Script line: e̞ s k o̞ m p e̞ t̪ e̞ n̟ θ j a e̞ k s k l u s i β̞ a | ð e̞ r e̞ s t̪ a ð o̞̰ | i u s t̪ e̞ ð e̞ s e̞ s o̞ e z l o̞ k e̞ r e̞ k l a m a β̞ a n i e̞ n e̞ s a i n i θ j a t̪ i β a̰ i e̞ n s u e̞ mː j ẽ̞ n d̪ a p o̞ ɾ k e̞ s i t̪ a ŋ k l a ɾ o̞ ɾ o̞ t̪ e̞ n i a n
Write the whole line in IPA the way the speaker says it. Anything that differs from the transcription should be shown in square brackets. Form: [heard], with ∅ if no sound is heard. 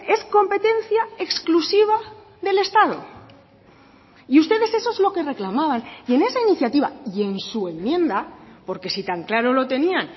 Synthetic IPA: e̞ s k o̞ m p e̞ t̪ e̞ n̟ θ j a e̞ k s k l u s i β̞ a | ð e̞ [l] e̞ s t̪ a ð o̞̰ | i u s t̪ e̞ ð e̞ s e̞ s o̞ e z l o̞ k e̞ r e̞ k l a m a β̞ a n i e̞ n e̞ s a i n i θ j a t̪ i β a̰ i e̞ n s u e̞ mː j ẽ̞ n d̪ a p o̞ ɾ k e̞ s i t̪ a ŋ k l a ɾ o̞ [l] o̞ t̪ e̞ n i a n